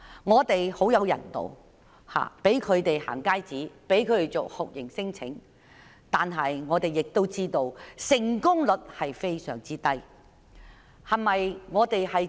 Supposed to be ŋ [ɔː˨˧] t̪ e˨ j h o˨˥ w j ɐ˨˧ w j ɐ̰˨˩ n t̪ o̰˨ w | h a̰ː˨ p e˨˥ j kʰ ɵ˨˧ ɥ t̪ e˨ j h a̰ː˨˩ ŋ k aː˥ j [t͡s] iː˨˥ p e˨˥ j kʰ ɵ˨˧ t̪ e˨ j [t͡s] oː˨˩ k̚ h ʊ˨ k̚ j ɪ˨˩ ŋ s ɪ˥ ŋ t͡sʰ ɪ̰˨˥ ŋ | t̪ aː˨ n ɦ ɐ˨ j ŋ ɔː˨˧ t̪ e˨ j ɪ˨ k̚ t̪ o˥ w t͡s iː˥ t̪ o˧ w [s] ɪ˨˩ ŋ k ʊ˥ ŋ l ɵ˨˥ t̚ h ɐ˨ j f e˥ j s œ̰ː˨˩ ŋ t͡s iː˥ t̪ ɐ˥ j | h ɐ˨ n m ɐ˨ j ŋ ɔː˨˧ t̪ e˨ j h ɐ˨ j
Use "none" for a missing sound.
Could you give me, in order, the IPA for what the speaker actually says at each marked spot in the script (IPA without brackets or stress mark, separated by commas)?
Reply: ɔː˨˧, t͡s, t͡s, s